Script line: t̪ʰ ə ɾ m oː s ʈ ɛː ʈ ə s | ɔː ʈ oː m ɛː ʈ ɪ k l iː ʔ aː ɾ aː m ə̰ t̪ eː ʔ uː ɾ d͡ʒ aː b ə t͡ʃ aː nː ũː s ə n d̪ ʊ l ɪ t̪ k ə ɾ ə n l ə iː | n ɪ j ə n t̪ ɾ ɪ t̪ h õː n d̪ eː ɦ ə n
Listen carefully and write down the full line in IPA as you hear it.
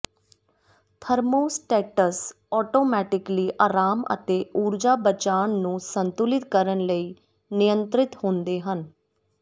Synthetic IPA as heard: t̪ʰ ə ɾ m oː s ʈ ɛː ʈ ə s | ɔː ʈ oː m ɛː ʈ ɪ k l iː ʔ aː ɾ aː m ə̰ t̪ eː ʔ uː ɾ d͡ʒ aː b ə t͡ʃ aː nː ũː s ə n t̪ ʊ l ɪ t̪ k ə ɾ ə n l ə iː | n ɪ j ə n t̪ ɾ ɪ t̪ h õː n d̪ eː ɦ ə n

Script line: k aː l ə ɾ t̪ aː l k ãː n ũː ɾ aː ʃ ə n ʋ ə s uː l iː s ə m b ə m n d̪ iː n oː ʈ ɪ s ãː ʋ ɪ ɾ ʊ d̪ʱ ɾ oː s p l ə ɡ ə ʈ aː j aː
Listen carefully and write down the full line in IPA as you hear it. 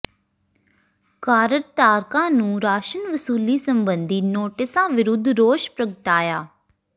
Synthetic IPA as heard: k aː ɾ ə ɾ t̪ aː ɾ k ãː n ũː ɾ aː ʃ ə n ʋ ə s uː l iː s ə m b ə n d̪ iː n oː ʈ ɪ s ãː ʋ ɪ ɾ ʊ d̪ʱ ɾ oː ʃ p ɾ ə ɡ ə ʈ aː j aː

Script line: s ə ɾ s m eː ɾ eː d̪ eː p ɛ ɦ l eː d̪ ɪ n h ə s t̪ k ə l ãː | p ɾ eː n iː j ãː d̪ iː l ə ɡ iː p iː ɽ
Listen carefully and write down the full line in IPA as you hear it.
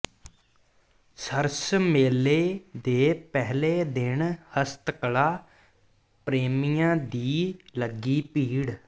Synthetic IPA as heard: s ə ɾ s m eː l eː d̪ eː p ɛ ɦ l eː d̪ ɪ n h ə s t̪ k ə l aː | p ɾ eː m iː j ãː d̪ iː l ə ɡ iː p iː ɽ

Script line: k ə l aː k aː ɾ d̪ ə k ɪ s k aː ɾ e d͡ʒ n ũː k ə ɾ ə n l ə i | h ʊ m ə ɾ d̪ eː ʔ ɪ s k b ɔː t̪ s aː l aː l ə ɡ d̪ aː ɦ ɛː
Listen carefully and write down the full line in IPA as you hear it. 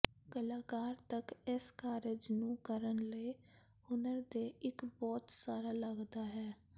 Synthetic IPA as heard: k ə l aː k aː ɾ t̪ ə k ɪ s k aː ɾ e d͡ʒ n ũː k ə ɾ ə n l ə i | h ʊ n ə ɾ d̪ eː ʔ ɪ k b ɔː t̪ s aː ɾ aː l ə ɡ d̪ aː ɦ ɛː

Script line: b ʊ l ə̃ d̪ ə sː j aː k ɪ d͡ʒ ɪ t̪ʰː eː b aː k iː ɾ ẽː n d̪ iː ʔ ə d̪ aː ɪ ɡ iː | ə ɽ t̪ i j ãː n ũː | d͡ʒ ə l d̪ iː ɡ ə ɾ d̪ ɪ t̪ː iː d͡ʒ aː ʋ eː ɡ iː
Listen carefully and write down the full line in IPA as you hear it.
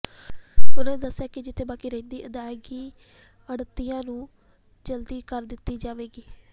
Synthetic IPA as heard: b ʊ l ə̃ d̪ ə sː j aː k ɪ d͡ʒ ɪ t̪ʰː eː b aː k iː ɾ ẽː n d̪ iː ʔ ə d̪ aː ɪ ɡ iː | ə ɽ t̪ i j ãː n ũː | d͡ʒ ə l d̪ iː k ə ɾ d̪ ɪ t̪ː iː d͡ʒ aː ʋ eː ɡ iː

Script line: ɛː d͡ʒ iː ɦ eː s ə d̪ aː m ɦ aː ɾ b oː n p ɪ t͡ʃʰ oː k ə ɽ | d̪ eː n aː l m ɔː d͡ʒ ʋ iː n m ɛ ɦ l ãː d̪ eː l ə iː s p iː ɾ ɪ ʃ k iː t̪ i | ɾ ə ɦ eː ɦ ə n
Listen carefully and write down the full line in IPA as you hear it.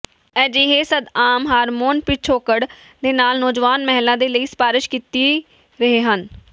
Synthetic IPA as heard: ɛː d͡ʒ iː ɦ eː s ə d̪ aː m ɦ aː ɾ m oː n p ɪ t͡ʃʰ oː k ə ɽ | d̪ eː n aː l n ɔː d͡ʒ ʋ aː n m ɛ ɦ l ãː d̪ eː l ə iː s p aː ɾ ɪ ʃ k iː t̪ i | ɾ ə ɦ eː ɦ ə n

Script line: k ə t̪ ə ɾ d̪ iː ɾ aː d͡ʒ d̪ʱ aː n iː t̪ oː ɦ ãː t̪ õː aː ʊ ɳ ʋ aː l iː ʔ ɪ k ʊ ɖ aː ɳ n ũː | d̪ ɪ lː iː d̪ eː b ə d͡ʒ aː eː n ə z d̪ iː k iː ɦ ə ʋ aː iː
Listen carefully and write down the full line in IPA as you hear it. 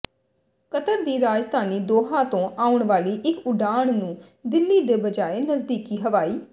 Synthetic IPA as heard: k ə t̪ ə ɾ d̪ iː ɾ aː d͡ʒ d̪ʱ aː n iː d̪ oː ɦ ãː t̪ õː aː ʊ ɳ ʋ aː l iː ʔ ɪ k ʊ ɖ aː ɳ n ũː | d̪ ɪ lː iː d̪ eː b ə d͡ʒ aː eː n ə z d̪ iː k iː ɦ ə ʋ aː iː

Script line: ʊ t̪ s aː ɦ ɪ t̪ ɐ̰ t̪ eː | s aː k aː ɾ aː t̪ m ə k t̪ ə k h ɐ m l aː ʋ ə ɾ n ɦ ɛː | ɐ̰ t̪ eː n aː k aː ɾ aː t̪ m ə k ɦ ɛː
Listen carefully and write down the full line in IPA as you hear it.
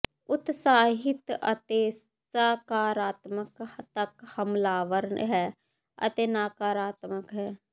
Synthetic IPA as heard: ʊ t̪ s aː ɦ ɪ t̪ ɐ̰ t̪ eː | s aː k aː ɾ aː t̪ m ə k t̪ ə k h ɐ m l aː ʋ ə ɾ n ɦ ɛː | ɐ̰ t̪ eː n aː k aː ɾ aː t̪ m ə k ɦ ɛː

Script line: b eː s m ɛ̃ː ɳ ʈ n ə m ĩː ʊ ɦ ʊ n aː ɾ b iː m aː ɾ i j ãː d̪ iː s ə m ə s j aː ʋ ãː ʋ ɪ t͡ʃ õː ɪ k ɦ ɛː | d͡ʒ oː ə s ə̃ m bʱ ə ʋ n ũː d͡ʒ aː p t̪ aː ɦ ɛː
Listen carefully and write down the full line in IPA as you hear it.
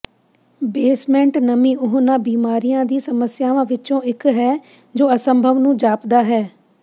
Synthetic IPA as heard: b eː s m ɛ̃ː ɳ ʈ n ə m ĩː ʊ ɦ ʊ n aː b iː m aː ɾ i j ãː d̪ iː s ə m ə s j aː ʋ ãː ʋ ɪ t͡ʃ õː ɪ k ɦ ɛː | d͡ʒ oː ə s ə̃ m bʱ ə ʋ n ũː d͡ʒ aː p d̪ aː ɦ ɛː

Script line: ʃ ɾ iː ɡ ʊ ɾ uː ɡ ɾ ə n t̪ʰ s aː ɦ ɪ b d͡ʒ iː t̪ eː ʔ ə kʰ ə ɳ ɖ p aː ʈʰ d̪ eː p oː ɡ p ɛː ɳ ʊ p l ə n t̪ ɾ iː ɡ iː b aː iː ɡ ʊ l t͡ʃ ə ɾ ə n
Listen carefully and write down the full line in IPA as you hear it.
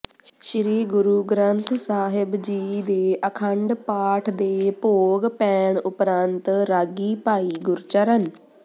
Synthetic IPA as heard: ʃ ɾ iː ɡ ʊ ɾ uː ɡ ɾ ə n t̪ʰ s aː ɦ ɪ b d͡ʒ iː d̪ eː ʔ ə kʰ ə ɳ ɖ p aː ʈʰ d̪ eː p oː ɡ p ɛː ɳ ʊ p ɾ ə n t̪ ɾ aː ɡ iː p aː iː ɡ ʊ ɾ t͡ʃ ə ɾ ə n

